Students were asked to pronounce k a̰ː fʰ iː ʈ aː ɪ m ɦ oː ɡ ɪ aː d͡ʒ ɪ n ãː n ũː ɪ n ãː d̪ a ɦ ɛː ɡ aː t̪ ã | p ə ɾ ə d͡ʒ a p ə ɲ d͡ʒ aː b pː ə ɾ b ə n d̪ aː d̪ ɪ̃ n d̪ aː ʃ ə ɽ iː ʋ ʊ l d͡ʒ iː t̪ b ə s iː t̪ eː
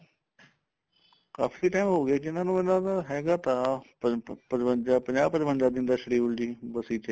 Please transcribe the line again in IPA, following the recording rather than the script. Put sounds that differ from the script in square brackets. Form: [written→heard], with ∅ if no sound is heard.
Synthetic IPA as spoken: k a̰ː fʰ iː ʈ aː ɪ m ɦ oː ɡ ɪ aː d͡ʒ ɪ n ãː n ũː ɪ n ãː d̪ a ɦ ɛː ɡ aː t̪ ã | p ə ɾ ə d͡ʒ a p ə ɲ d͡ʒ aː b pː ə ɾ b ə n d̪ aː d̪ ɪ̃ n d̪ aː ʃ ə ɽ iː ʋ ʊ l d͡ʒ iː [t̪→∅] b ə s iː t̪ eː